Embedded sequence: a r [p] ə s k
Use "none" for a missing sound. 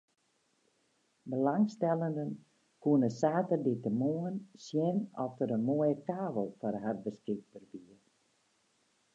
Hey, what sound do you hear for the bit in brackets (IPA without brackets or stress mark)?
b